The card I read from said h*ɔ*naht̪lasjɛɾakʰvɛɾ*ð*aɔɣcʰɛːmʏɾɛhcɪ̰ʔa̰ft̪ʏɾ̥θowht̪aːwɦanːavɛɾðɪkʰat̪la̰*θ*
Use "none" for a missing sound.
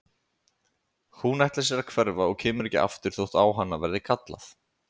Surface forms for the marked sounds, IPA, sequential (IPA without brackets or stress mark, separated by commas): u, v, θ